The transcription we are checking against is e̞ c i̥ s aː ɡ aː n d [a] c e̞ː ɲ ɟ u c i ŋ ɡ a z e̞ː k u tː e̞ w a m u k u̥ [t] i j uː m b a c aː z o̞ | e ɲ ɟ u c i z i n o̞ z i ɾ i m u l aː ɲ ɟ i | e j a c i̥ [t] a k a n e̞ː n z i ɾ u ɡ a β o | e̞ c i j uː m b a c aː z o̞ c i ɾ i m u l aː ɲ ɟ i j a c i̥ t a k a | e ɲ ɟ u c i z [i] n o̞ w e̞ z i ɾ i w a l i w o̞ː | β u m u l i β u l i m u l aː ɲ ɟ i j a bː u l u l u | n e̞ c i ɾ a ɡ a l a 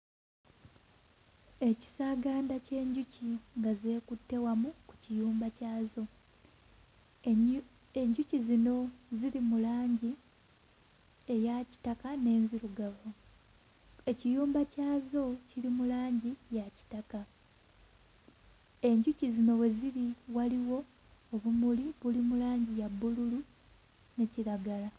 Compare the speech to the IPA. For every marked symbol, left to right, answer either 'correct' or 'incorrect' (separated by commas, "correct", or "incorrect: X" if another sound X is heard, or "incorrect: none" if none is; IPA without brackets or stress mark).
correct, incorrect: c, correct, correct